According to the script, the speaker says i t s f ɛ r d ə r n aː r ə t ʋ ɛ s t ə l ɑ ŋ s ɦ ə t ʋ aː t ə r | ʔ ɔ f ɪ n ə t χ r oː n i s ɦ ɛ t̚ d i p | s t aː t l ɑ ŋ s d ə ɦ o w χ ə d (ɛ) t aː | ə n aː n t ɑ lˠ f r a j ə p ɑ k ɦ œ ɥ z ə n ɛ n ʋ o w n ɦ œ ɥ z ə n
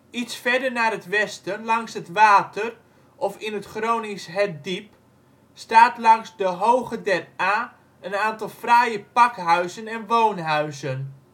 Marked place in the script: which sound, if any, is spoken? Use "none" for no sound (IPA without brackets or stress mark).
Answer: ɛ